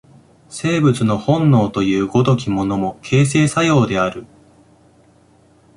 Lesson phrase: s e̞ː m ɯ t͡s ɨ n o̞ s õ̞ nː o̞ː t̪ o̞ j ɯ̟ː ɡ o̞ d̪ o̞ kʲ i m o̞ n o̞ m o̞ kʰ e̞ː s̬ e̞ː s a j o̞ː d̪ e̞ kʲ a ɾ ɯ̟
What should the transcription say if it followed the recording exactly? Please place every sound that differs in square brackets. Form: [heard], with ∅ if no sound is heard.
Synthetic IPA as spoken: s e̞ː [b] ɯ t͡s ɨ n o̞ [h] õ̞ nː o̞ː t̪ o̞ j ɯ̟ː ɡ o̞ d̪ o̞ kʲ i m o̞ n o̞ m o̞ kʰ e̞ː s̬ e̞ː s a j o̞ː d̪ e̞ [∅] a ɾ ɯ̟